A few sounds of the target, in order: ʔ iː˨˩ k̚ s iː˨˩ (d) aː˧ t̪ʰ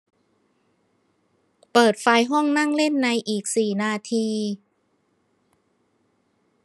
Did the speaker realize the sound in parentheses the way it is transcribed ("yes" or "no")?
no